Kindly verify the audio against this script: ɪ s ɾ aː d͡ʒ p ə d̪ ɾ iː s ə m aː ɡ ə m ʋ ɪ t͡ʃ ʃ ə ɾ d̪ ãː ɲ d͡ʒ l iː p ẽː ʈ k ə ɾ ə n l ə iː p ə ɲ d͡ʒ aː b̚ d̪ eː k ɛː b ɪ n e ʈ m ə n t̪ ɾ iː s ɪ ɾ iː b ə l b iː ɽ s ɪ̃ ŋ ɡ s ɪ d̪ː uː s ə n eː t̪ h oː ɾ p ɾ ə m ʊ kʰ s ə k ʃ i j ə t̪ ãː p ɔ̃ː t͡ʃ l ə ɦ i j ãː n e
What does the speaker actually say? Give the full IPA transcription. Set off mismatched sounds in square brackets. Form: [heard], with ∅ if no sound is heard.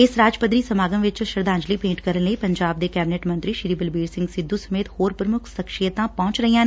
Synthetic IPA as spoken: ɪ s ɾ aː d͡ʒ p ə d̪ ɾ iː s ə m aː ɡ ə m ʋ ɪ t͡ʃ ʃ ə ɾ d̪ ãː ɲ d͡ʒ l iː p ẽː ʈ k ə ɾ ə n l ə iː p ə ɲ d͡ʒ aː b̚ d̪ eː k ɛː b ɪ n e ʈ m ə n t̪ ɾ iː [ʃ] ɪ ɾ iː b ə l b iː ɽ s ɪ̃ ŋ ɡ s ɪ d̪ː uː s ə [m] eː t̪ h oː ɾ p ɾ ə m ʊ kʰ s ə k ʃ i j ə t̪ ãː p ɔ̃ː t͡ʃ [ɾ] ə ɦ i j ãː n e